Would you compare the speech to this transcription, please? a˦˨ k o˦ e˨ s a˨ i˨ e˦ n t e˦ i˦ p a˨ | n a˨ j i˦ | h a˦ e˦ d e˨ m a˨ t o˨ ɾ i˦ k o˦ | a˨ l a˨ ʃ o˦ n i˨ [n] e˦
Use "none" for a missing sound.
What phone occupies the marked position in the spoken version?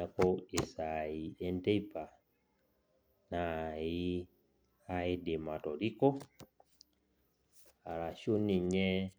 ɲ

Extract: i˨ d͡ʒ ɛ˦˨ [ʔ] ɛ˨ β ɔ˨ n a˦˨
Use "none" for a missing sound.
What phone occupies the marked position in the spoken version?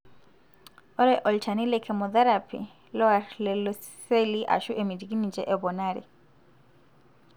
ʔ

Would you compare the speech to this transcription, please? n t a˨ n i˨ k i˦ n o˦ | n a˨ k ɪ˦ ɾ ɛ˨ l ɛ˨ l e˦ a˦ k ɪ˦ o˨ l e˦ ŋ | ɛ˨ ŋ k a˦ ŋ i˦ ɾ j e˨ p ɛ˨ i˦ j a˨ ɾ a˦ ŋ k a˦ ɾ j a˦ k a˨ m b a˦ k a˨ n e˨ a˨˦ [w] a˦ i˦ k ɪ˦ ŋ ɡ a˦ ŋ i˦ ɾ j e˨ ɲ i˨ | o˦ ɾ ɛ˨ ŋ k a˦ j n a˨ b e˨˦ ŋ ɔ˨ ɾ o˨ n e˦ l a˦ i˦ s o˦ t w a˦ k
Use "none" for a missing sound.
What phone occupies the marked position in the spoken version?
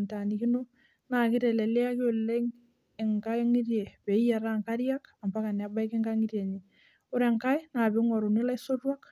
b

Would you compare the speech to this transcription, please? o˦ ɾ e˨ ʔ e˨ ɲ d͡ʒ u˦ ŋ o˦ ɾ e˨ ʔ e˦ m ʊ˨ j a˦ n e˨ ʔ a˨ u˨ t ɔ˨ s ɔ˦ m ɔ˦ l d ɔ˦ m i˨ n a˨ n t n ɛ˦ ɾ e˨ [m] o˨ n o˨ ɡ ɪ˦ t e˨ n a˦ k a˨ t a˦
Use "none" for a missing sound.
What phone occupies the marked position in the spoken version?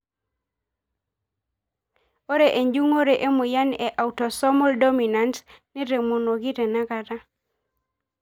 m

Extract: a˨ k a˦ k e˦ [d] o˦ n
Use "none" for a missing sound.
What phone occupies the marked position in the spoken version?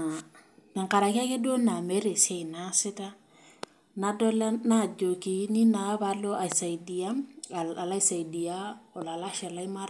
d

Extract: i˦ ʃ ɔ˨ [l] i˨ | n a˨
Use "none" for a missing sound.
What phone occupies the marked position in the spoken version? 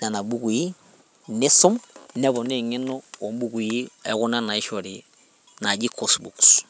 ɾ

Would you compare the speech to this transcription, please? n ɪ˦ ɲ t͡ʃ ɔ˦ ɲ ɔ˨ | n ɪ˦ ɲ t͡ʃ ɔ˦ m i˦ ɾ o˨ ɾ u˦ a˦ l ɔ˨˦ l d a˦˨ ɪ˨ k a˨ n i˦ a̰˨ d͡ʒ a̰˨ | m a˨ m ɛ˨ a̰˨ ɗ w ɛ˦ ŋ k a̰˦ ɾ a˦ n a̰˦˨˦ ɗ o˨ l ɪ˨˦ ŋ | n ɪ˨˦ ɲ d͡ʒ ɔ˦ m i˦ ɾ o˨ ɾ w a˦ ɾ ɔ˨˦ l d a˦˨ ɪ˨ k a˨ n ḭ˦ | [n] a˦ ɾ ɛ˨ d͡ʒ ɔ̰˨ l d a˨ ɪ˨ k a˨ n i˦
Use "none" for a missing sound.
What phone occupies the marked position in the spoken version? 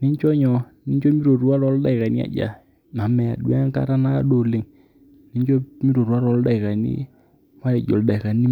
m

